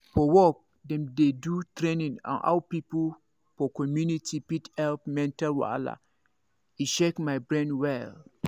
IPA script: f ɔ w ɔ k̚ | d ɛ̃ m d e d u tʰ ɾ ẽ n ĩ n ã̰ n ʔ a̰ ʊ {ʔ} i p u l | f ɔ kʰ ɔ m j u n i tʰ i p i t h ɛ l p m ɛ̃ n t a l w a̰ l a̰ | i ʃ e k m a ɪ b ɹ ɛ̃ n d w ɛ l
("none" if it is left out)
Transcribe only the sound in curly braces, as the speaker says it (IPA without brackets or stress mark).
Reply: p